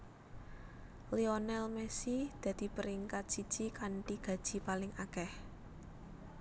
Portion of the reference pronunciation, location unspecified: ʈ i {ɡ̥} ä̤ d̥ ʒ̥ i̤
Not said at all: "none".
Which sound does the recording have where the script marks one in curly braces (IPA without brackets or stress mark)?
ɡ̥